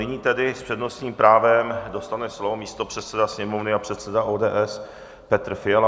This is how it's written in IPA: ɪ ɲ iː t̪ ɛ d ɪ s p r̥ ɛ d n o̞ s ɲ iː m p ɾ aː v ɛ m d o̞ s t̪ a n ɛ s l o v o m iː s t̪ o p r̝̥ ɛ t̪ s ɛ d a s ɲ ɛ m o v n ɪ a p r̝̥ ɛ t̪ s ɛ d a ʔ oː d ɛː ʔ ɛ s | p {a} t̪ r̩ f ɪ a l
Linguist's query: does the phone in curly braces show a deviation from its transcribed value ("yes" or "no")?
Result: yes